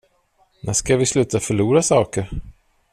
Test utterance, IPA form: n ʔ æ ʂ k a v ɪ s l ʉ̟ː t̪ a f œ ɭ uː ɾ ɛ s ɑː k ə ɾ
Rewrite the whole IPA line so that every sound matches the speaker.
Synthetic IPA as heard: n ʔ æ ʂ k a v ɪ s l ʉ̟ː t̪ a f œ ɭ uː ɾ a s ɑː k ə ɾ